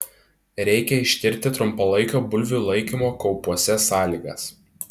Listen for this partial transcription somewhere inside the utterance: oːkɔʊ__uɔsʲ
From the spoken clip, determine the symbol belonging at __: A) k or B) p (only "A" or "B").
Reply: B